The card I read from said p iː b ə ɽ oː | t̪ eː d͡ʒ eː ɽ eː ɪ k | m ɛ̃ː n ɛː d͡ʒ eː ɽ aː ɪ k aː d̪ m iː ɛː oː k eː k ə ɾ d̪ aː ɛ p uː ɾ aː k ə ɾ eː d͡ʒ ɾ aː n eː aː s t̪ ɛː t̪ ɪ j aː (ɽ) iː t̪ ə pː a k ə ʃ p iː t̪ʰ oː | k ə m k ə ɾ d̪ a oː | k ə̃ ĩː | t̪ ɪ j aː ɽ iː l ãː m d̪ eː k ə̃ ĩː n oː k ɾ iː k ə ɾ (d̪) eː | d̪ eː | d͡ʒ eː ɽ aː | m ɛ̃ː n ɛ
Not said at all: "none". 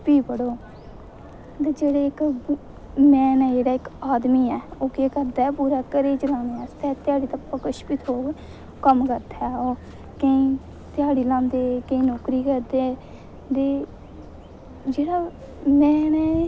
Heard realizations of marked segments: ɽ, d̪

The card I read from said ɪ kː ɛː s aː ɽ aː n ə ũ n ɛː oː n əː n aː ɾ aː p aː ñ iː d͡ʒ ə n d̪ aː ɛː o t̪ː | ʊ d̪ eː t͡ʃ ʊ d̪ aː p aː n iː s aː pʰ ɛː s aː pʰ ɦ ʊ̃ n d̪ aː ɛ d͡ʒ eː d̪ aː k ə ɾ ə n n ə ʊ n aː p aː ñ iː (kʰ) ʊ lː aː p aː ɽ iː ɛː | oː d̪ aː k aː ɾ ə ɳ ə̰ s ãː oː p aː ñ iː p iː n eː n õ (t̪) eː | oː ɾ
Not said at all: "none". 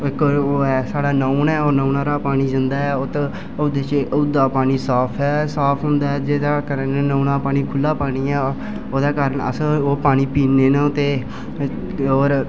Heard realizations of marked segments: kʰ, t̪

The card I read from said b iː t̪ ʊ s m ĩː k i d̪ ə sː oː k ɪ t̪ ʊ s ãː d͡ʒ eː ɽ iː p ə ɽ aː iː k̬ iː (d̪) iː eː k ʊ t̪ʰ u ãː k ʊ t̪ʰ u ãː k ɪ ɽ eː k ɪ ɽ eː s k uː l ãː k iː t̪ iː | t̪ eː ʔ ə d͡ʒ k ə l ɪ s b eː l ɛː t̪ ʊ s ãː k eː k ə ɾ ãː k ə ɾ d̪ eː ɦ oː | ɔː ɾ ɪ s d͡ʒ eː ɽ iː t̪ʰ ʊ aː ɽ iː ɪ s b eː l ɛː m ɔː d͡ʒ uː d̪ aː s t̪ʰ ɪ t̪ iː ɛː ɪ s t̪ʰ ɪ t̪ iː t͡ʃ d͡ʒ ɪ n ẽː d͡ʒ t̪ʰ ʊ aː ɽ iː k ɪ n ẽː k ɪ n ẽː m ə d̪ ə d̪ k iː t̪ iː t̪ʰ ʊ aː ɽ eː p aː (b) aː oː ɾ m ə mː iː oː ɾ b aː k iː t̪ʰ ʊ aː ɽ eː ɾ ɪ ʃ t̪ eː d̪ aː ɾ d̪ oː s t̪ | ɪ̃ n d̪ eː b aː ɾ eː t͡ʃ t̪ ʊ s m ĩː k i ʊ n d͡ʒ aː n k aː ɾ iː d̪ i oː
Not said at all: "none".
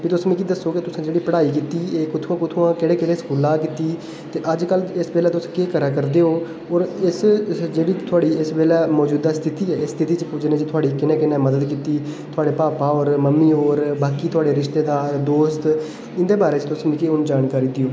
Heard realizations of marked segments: t̪, p

